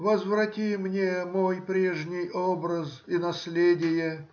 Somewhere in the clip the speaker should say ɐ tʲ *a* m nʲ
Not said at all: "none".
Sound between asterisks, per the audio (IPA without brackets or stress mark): i